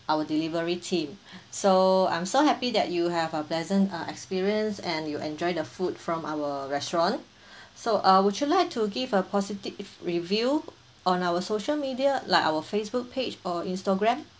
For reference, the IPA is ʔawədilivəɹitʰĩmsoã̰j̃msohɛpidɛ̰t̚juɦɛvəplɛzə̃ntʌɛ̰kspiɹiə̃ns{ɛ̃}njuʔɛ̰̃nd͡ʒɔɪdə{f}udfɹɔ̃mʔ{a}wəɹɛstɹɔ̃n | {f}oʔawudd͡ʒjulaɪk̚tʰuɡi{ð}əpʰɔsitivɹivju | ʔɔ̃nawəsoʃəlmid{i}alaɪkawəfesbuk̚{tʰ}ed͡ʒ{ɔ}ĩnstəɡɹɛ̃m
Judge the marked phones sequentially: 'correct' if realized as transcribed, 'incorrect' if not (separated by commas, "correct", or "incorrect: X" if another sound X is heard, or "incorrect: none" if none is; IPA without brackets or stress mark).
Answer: correct, correct, correct, incorrect: s, incorrect: v, correct, incorrect: pʰ, correct